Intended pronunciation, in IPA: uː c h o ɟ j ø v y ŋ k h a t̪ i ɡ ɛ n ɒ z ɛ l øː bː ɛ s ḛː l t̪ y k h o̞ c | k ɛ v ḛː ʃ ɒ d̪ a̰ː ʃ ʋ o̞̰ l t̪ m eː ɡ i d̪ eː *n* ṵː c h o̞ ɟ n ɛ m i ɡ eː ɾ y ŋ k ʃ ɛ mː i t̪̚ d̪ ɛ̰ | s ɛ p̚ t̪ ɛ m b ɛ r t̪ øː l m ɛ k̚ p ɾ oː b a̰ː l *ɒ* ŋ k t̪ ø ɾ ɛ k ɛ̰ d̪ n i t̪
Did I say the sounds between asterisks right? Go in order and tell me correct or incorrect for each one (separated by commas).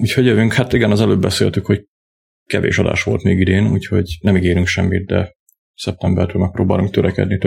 correct, incorrect